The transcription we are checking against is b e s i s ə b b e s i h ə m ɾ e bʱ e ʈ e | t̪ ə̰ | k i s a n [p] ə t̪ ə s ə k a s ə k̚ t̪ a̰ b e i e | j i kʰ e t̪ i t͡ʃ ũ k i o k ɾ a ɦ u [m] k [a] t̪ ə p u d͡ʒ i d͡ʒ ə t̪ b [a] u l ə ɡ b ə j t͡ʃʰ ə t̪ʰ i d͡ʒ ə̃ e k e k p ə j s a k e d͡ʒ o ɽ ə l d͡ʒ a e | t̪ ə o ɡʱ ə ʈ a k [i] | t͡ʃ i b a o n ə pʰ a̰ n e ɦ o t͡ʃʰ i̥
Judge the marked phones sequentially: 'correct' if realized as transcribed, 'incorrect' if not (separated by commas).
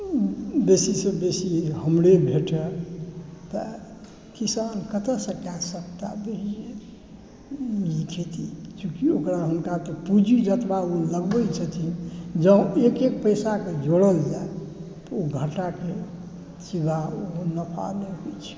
incorrect, incorrect, correct, correct, incorrect